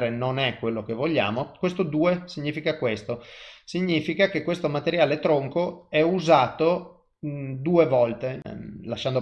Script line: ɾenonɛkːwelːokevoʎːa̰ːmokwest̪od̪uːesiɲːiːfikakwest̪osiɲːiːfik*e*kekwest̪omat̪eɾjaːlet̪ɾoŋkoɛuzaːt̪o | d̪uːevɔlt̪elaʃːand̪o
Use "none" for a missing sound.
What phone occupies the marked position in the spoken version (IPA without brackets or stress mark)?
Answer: a